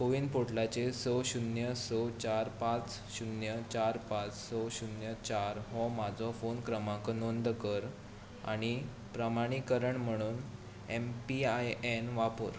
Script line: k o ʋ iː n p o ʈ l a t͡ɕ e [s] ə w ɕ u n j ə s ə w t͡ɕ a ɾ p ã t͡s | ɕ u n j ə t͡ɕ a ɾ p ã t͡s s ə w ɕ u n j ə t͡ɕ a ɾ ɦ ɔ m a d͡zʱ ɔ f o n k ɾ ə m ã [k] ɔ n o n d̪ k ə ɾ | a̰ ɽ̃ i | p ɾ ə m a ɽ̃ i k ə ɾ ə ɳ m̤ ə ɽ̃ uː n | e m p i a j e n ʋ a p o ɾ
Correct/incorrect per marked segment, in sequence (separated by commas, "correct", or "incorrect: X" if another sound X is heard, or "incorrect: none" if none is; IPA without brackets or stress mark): correct, correct